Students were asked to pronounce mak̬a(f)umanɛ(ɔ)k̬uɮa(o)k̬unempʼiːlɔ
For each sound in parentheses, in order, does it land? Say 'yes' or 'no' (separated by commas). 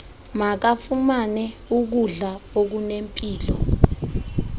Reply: yes, no, yes